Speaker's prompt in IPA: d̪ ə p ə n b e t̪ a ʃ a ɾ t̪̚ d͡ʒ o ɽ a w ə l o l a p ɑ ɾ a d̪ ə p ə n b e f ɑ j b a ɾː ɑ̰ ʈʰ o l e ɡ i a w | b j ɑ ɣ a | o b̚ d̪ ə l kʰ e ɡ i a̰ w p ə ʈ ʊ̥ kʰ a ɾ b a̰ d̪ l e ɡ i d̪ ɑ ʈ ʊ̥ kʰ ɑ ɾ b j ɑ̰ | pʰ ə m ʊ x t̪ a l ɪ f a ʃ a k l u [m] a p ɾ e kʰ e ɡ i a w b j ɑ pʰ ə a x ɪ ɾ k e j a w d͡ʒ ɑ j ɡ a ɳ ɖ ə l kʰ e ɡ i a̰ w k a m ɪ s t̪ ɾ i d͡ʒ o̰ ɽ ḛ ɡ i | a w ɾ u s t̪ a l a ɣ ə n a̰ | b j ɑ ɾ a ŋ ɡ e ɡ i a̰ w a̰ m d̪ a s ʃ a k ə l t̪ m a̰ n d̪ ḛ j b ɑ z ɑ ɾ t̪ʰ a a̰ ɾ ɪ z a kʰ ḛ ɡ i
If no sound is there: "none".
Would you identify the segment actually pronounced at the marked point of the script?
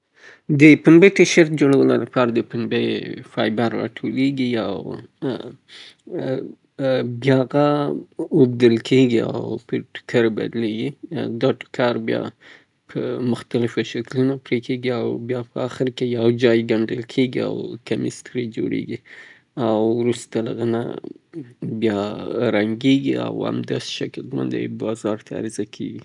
n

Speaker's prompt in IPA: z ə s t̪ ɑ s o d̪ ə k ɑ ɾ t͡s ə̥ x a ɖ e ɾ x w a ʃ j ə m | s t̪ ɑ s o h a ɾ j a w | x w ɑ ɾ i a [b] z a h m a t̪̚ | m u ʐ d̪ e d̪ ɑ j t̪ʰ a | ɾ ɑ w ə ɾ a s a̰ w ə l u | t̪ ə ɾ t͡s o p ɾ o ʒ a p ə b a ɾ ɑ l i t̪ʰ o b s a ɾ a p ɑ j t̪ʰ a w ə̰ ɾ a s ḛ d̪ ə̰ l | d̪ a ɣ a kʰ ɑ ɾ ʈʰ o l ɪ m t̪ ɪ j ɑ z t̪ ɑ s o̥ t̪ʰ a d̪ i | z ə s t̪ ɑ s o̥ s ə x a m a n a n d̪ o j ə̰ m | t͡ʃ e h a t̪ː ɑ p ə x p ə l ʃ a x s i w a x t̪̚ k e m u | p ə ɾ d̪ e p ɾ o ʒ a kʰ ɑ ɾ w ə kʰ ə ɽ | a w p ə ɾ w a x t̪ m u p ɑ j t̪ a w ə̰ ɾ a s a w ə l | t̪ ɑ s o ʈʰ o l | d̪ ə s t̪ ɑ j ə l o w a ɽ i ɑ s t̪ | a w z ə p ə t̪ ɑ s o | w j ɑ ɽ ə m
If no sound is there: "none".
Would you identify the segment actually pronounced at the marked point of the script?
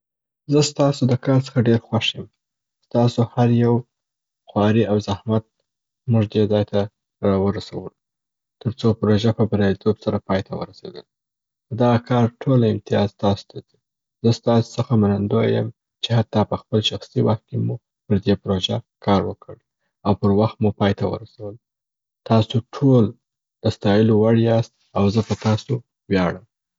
w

